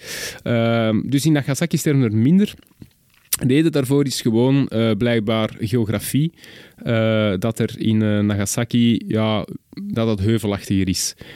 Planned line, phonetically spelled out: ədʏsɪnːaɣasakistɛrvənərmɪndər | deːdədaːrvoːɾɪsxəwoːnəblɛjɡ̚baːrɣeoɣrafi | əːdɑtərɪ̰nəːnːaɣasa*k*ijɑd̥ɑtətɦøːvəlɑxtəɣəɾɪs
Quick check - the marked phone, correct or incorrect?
correct